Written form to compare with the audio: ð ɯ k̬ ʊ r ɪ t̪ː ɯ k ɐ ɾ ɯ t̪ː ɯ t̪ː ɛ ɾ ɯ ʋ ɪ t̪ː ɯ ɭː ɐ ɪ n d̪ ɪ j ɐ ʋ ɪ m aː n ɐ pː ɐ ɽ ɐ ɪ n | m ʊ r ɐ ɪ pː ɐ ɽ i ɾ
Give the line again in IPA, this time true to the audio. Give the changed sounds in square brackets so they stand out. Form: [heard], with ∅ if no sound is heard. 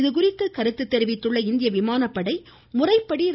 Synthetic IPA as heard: ð ɯ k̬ ʊ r ɪ t̪ː ɯ k ɐ ɾ ɯ t̪ː ɯ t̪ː ɛ ɾ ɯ ʋ ɪ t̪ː ɯ ɭː ɐ ɪ n d̪ ɪ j ɐ ʋ ɪ m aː n ɐ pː ɐ ɽ ɐ ɪ [∅] | m ʊ r ɐ ɪ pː ɐ ɽ i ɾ